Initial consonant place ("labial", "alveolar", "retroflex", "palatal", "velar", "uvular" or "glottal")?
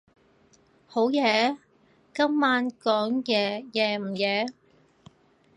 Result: glottal